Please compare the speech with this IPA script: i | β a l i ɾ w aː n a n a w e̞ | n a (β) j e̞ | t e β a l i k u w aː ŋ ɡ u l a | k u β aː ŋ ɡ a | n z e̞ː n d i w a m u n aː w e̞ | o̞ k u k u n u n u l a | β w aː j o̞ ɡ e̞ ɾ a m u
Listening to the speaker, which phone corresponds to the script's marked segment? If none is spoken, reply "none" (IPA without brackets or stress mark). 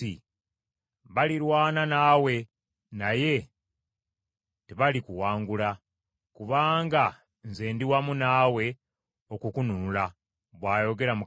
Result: none